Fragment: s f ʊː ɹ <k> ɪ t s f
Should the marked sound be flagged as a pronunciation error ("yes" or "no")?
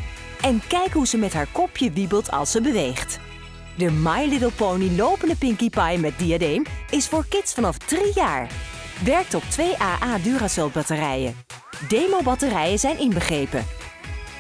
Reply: no